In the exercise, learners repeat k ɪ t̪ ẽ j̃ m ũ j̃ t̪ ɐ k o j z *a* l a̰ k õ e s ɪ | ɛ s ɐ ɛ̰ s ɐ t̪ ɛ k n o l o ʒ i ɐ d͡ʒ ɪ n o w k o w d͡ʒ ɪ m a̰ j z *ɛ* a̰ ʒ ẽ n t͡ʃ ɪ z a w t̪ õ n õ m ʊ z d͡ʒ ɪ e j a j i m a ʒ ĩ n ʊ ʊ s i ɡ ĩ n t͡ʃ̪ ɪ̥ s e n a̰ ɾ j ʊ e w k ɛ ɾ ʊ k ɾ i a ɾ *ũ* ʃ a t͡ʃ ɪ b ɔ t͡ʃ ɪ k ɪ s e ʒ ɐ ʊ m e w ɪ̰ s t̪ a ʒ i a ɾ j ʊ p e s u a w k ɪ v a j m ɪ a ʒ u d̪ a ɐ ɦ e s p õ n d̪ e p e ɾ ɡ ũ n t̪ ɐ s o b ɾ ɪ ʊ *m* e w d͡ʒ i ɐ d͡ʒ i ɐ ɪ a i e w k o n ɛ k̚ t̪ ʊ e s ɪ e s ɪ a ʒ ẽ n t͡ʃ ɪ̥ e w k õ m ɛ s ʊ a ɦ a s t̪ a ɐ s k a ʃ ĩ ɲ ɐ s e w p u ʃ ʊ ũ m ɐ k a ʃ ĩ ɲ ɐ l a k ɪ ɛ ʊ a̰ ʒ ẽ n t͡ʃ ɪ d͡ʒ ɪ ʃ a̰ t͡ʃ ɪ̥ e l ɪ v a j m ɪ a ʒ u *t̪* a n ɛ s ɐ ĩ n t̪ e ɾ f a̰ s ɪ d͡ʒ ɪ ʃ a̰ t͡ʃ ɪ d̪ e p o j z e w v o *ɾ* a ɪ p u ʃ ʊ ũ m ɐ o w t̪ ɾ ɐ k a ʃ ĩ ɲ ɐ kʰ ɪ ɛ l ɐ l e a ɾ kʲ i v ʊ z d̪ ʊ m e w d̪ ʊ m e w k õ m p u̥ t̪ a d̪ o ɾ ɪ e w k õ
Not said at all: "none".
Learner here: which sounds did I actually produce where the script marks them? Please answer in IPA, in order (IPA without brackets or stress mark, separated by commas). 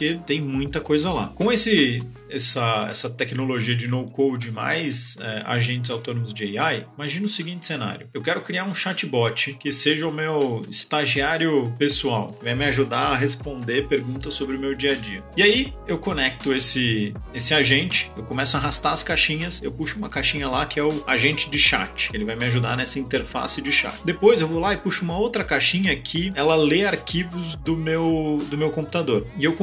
ɐ, ɛ, ũ, m, d̪, l